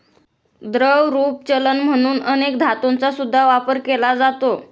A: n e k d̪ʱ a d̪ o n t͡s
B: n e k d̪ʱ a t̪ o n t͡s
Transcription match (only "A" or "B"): B